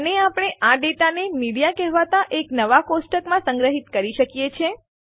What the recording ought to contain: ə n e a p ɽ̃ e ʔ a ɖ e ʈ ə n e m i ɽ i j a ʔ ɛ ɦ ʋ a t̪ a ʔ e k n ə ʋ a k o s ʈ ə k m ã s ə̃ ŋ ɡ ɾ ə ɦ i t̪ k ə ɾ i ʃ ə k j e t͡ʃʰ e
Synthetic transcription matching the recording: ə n e a p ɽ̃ e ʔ a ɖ e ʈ a n e m i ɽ i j a k ɛ ɦ ʋ a t̪ a ʔ e k n ə ʋ a k o s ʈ ə k m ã s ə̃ ŋ ɡ ɾ ə ɦ i t̪ k ə ɾ i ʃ ə k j e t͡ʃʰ e